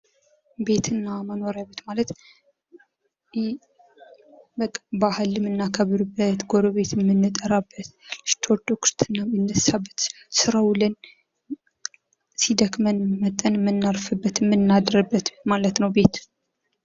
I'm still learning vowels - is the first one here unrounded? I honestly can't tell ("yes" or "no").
yes